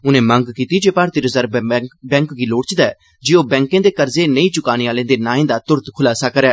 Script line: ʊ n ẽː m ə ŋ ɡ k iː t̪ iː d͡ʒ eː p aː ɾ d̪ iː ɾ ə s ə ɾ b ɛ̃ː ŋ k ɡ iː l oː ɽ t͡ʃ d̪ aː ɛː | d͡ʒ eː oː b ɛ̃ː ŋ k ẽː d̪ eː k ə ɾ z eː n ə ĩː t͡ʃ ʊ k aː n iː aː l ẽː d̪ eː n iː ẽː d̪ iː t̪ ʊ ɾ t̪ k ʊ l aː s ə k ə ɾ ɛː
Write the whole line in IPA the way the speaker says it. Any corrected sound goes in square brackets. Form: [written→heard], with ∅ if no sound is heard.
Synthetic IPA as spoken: ʊ n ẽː m ə ŋ ɡ k iː t̪ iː d͡ʒ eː p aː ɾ [d̪→t̪] iː ɾ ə [s→z] ə ɾ b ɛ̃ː ŋ k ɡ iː l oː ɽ t͡ʃ d̪ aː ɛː | d͡ʒ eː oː b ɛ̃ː ŋ k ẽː d̪ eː k ə ɾ z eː n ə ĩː t͡ʃ ʊ k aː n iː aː l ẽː d̪ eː n [iː→aː] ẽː d̪ [iː→aː] t̪ ʊ ɾ t̪ [k→kʰ] ʊ l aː s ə k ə ɾ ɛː